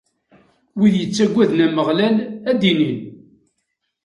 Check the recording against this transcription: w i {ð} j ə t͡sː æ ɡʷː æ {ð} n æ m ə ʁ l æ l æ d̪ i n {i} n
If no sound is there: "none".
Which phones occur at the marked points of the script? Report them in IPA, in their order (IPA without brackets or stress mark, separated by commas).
ð, ð, i